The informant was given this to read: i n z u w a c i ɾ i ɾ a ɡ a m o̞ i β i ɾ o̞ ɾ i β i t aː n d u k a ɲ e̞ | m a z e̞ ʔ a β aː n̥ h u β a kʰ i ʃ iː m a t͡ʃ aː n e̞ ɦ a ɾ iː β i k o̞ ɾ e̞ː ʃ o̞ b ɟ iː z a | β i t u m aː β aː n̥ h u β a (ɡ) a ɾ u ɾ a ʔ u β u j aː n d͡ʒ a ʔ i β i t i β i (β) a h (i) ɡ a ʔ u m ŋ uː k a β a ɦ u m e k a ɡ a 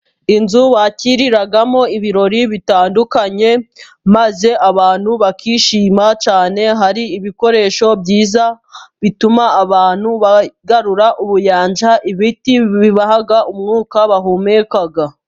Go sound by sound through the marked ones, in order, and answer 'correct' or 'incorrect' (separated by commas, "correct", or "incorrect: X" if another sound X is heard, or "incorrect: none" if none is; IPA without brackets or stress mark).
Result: correct, correct, incorrect: a